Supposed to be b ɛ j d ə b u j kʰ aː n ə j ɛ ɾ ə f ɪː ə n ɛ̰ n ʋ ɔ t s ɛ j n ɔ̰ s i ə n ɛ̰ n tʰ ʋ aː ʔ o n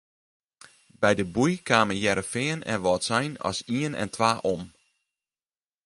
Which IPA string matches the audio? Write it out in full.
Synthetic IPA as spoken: b ɛ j d ə b u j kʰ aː m ə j ɛ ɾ ə f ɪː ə n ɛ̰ n ʋ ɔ t s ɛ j n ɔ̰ s i ə n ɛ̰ n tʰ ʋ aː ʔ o m